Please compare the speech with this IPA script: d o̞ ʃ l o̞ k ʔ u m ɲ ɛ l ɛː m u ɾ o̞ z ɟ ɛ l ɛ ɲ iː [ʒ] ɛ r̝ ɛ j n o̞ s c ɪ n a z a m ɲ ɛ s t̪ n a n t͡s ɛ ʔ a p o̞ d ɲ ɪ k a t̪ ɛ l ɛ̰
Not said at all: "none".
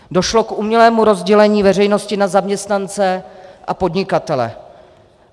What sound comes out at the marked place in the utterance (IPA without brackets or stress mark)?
v